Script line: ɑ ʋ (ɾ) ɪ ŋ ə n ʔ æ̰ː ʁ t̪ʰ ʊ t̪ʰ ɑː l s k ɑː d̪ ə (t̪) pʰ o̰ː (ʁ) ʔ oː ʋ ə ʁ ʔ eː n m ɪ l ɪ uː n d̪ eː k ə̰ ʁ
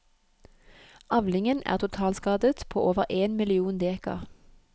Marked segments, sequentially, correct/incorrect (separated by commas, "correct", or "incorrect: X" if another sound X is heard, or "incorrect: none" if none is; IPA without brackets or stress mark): incorrect: l, correct, incorrect: none